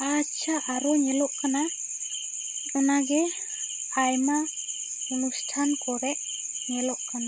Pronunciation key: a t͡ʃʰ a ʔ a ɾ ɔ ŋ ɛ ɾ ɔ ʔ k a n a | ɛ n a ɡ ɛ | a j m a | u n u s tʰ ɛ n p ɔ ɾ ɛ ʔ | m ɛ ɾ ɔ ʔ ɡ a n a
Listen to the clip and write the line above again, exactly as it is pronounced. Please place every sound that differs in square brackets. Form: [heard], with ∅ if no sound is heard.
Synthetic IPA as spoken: a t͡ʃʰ a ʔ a ɾ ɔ [ɲ] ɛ [l] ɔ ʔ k a n a | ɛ n a ɡ ɛ | a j m a | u n u s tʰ [a] n [k] ɔ ɾ ɛ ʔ | [ɲ] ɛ [l] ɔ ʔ [k] a n a